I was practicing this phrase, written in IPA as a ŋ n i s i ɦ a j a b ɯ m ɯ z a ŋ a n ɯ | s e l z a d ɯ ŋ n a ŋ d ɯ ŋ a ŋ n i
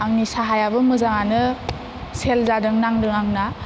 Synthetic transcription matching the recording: a ŋ n i s a ɦ a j a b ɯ m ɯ z a ŋ a n ɯ | s e l z a d ɯ ŋ n a ŋ d ɯ ŋ a ŋ n a